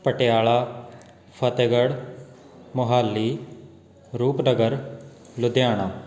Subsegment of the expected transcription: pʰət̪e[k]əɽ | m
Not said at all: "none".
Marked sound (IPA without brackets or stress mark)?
ɡ